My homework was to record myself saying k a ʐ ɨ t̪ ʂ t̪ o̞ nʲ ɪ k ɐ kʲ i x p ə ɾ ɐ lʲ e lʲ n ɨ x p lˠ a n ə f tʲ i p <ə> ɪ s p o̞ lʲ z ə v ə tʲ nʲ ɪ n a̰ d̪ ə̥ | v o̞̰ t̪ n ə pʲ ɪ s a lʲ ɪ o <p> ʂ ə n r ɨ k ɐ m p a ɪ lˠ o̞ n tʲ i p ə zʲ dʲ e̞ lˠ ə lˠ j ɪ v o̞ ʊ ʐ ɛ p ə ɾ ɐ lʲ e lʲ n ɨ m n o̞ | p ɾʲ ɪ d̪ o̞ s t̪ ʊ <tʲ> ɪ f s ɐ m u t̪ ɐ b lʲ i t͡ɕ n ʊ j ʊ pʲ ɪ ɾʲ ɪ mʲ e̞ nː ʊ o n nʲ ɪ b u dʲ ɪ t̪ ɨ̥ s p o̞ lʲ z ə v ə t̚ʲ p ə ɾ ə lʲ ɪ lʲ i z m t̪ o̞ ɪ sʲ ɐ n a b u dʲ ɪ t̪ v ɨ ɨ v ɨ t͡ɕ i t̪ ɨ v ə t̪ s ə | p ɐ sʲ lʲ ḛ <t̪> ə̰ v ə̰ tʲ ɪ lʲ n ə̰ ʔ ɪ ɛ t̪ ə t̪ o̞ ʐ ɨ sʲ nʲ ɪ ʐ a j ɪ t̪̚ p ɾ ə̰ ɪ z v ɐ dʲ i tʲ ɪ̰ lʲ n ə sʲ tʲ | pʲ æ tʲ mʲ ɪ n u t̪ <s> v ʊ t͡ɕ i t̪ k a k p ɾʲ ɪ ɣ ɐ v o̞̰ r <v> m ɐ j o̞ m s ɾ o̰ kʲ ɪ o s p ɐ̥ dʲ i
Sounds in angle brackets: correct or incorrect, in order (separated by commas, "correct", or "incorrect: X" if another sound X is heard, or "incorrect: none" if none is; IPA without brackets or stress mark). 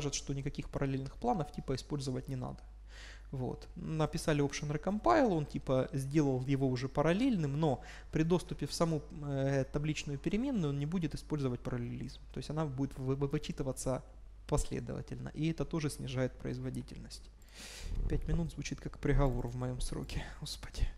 correct, correct, incorrect: pʲ, incorrect: d̪, incorrect: z, correct